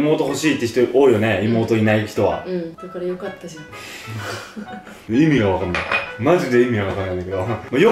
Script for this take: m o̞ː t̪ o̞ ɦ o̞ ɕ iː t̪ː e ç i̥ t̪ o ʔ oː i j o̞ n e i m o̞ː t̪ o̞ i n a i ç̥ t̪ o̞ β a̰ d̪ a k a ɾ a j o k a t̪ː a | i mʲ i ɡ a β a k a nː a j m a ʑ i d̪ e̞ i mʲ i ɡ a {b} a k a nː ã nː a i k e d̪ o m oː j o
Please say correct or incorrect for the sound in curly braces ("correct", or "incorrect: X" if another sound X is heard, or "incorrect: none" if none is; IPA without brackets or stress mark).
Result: incorrect: β